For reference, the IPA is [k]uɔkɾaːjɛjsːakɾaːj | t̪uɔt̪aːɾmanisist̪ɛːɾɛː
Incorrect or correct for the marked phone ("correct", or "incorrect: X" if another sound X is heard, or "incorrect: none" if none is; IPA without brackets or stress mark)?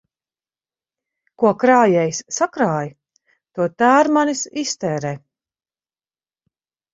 correct